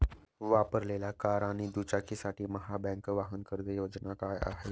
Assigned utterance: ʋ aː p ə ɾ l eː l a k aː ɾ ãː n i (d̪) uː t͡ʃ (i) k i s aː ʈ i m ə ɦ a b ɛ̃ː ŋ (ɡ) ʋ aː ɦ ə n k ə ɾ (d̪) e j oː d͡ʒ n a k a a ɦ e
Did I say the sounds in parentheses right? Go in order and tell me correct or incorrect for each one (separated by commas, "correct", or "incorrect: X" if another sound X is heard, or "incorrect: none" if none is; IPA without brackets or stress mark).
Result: correct, incorrect: a, incorrect: k, correct